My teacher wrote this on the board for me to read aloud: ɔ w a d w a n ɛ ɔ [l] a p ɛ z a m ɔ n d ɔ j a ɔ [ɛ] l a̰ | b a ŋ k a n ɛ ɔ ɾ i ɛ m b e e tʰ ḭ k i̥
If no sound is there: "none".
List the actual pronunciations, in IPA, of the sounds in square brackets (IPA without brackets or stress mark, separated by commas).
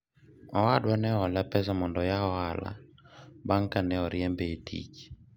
l, a